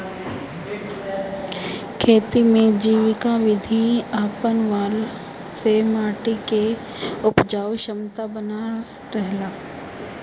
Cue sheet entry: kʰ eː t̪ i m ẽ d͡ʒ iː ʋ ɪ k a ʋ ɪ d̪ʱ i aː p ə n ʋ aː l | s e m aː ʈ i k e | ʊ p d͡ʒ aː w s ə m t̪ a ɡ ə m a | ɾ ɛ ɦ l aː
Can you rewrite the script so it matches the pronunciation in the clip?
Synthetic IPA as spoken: kʰ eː t̪ i m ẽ d͡ʒ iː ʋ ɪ k a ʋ ɪ d̪ʱ i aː p ə n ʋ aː l | s e m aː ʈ i k e | ʊ p d͡ʒ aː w ʃ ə m t̪ a b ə n a | ɾ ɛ ɦ l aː